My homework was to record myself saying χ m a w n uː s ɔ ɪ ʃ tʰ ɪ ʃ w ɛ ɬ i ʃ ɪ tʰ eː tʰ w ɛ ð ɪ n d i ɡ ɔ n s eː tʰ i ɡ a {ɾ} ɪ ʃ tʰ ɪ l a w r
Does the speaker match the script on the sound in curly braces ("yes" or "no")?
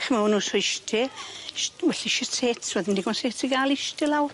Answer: no